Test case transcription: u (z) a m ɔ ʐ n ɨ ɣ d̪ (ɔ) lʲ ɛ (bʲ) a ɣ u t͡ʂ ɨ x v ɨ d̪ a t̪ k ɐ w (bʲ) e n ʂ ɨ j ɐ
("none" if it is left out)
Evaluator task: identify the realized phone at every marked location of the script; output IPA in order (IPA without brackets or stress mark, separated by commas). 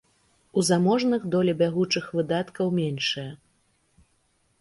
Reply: z, ɔ, bʲ, mʲ